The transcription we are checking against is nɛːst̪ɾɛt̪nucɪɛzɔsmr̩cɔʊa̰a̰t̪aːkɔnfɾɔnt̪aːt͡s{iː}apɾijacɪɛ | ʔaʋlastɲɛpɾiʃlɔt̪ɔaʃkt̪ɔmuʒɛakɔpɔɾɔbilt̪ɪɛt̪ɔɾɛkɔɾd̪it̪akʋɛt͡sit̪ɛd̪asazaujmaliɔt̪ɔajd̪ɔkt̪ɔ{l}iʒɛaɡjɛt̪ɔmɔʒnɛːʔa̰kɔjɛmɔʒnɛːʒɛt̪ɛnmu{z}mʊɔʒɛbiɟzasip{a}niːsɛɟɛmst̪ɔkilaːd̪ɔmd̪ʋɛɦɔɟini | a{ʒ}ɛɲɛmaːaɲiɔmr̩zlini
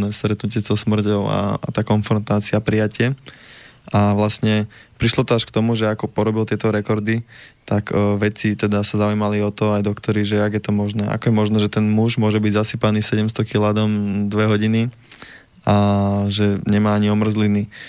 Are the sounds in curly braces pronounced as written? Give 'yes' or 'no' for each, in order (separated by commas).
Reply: no, no, no, yes, yes